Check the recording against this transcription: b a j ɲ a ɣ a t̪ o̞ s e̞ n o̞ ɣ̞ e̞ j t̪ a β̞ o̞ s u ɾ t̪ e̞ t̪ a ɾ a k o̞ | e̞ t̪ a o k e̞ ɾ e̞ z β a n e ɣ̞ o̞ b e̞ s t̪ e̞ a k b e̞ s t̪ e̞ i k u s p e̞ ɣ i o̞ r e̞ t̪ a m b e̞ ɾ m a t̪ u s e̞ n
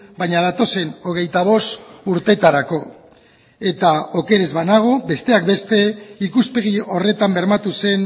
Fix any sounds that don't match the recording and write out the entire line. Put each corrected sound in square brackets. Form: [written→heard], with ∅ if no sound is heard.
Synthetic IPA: b a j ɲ a [ɣ→ð] a t̪ o̞ s e̞ n o̞ ɣ̞ e̞ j t̪ a β̞ o̞ s u ɾ t̪ e̞ t̪ a ɾ a k o̞ | e̞ t̪ a o k e̞ ɾ e̞ z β a n [e→a] ɣ̞ o̞ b e̞ s t̪ e̞ a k b e̞ s t̪ e̞ i k u s p e̞ ɣ i o̞ r e̞ t̪ a m b e̞ ɾ m a t̪ u s e̞ n